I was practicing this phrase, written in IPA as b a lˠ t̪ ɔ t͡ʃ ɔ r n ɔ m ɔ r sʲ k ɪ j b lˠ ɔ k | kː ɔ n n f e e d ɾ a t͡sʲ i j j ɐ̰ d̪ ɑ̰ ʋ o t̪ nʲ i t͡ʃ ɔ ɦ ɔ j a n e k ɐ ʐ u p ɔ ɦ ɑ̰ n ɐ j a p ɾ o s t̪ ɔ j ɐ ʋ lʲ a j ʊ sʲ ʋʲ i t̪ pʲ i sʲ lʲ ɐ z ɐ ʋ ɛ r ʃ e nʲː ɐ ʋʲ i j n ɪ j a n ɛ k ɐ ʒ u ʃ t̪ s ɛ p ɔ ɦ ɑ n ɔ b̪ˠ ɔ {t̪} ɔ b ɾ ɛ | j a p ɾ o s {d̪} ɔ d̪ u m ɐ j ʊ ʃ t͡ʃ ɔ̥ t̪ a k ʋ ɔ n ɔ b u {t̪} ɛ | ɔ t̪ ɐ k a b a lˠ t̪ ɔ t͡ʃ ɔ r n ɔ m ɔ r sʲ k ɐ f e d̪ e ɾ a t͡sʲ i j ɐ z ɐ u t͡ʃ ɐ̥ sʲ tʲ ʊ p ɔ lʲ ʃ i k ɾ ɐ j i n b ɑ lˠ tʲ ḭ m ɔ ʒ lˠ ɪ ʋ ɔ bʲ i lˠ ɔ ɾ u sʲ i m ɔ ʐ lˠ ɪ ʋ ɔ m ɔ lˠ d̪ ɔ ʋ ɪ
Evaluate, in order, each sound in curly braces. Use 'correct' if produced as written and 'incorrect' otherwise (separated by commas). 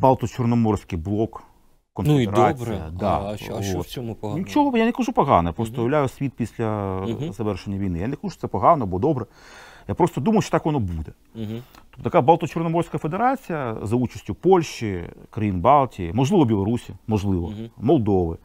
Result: incorrect, incorrect, incorrect